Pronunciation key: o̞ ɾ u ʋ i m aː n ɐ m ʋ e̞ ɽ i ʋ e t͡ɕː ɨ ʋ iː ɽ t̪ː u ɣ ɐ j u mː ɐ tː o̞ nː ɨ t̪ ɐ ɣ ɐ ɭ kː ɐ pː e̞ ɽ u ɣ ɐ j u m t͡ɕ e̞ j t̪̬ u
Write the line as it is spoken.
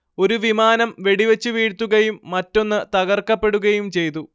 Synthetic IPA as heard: o̞ ɾ u ʋ i m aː n ɐ m ʋ e̞ ɽ i ʋ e t͡ɕː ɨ ʋ iː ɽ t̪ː u ɣ ɐ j u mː ɐ tː o̞ nː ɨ t̪ ɐ ɣ ɐ r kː ɐ pː e̞ ɽ u ɣ ɐ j u m t͡ɕ e̞ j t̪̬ u